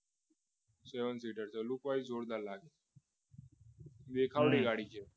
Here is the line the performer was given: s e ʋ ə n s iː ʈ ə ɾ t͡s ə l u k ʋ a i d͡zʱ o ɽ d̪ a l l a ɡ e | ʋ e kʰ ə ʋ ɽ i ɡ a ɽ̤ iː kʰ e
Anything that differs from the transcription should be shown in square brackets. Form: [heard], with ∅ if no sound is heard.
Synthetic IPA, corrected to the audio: s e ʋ ə n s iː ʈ ə ɾ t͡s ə l u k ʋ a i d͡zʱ o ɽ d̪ a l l a ɡ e | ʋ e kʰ [a] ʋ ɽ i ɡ a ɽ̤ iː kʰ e